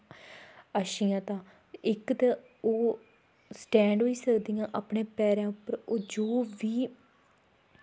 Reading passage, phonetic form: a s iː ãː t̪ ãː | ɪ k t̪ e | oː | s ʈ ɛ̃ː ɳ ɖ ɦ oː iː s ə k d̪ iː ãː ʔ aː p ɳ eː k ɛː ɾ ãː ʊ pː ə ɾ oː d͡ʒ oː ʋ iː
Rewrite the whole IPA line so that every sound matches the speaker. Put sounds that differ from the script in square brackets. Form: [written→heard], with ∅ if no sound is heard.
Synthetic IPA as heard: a [s→ʃ] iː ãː t̪ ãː | ɪ k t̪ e | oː | s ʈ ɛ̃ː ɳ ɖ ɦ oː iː s ə k d̪ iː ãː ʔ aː p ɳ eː [k→p] ɛː ɾ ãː ʊ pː ə ɾ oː d͡ʒ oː ʋ iː